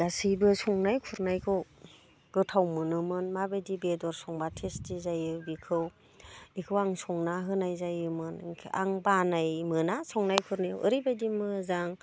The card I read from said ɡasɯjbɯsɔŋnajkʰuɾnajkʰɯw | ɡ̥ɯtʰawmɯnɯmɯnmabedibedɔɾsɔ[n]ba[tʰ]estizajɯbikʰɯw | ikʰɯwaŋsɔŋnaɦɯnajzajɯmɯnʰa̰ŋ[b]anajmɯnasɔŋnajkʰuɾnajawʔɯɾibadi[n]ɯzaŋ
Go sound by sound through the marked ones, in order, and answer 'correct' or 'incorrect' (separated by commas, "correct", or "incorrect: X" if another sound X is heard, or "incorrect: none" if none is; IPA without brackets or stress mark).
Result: incorrect: ŋ, correct, correct, incorrect: m